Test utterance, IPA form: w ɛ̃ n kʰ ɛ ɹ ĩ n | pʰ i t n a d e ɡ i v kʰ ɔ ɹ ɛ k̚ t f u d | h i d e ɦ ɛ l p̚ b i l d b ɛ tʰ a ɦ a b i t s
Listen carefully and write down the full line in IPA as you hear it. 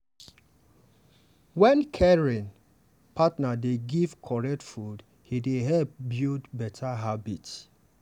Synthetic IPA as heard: w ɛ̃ n kʰ ɛ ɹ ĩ n | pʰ a t n a d e ɡ i v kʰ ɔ ɹ ɛ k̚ t f u d | h i d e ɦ ɛ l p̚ b i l d b ɛ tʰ a ɦ a b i t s